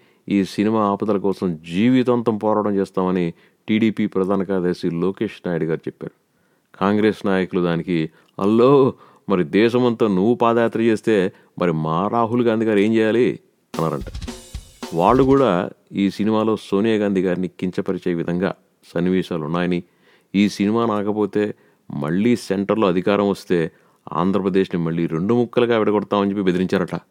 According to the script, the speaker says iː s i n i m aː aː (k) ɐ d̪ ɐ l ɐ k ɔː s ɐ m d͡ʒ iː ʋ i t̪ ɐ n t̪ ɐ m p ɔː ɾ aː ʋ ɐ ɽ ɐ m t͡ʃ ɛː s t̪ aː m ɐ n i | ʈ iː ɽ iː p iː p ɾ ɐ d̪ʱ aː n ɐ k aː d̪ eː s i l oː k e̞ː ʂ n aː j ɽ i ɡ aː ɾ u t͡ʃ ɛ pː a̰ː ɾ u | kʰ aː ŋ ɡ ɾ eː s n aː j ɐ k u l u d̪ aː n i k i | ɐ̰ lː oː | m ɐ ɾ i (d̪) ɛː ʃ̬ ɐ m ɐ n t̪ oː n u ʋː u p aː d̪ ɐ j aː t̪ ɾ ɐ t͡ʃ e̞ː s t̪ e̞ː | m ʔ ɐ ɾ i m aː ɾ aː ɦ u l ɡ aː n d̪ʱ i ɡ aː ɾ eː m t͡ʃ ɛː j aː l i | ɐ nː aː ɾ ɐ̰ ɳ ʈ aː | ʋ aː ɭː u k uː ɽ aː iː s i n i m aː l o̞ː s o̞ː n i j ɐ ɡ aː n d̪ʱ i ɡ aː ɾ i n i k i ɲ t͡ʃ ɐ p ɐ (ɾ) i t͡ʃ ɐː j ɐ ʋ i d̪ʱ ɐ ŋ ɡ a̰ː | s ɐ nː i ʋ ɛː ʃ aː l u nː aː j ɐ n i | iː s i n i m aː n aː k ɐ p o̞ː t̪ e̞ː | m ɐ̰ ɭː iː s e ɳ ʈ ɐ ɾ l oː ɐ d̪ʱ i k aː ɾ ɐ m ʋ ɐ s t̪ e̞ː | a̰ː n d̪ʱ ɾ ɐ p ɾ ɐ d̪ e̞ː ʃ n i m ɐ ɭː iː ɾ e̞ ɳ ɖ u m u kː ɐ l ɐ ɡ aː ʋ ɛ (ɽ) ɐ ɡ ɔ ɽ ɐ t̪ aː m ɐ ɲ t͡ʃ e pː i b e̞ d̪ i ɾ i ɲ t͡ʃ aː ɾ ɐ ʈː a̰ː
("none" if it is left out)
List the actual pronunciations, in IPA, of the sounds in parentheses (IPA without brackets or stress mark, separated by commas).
p, d̪, ɾ, ɽ